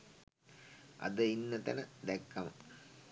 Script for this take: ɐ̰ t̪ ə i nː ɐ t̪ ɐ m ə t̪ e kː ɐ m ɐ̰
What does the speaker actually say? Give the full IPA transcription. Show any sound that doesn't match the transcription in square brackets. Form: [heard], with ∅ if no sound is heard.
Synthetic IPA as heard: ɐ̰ [d̪] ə i nː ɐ t̪ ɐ [n] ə [d̪] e kː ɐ m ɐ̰

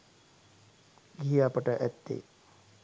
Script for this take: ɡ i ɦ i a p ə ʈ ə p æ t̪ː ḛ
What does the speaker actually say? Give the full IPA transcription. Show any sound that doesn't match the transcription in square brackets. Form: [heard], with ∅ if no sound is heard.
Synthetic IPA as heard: ɡ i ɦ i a p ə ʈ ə [ʔ] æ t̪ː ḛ

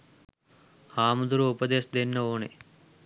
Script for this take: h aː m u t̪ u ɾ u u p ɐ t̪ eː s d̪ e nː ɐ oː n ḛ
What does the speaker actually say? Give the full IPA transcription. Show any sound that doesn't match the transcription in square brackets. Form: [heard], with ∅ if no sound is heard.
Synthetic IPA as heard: h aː m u [d̪] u ɾ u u p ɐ [d̪] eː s d̪ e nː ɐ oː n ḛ

